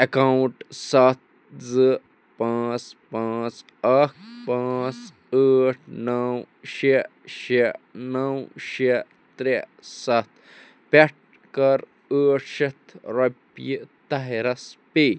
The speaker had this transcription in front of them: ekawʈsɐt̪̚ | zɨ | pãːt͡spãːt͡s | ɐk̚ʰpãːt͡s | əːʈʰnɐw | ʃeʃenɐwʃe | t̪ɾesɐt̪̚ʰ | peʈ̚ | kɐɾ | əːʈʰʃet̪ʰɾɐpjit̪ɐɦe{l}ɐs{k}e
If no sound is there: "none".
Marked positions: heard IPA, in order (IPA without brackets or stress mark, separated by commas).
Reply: ɾ, p